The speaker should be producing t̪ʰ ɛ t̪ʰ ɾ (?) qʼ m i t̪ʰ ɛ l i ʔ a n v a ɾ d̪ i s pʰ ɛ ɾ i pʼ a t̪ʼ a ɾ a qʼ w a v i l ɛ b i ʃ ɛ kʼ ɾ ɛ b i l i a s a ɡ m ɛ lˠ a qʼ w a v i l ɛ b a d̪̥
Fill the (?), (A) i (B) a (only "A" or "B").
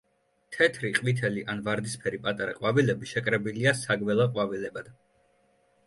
A